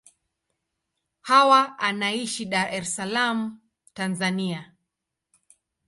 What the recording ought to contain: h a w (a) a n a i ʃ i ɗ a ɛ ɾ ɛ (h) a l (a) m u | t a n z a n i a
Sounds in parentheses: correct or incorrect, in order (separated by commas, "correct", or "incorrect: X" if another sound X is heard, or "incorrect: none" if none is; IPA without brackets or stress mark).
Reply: correct, incorrect: s, correct